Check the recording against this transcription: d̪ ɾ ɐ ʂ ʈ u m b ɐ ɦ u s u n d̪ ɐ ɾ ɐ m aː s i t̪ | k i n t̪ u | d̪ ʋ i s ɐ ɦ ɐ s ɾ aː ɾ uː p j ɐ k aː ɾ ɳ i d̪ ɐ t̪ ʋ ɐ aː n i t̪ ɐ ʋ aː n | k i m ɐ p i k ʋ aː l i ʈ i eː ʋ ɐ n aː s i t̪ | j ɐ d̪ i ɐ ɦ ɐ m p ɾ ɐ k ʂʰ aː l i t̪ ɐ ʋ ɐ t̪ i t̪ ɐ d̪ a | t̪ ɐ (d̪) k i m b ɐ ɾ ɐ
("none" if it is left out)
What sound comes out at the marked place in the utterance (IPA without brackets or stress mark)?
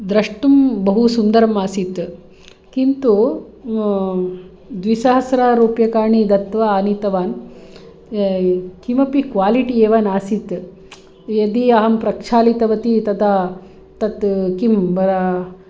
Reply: t̪